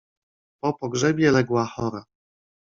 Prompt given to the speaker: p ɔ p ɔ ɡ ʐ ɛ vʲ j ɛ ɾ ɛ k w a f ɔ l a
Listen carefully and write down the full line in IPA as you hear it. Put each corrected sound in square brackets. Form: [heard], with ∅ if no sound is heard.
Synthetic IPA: p ɔ p ɔ ɡ ʐ ɛ [bʲ] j ɛ [l] ɛ [ɡ] w a [x] ɔ [ɾ] a

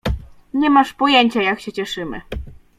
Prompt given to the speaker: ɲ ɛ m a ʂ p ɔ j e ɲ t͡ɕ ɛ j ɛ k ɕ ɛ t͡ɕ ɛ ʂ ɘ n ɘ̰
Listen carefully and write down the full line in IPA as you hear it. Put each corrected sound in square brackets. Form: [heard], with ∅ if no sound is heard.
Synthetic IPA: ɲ ɛ m a ʂ p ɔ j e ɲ t͡ɕ [a] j [a] k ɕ ɛ t͡ɕ ɛ ʂ ɘ [m] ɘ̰

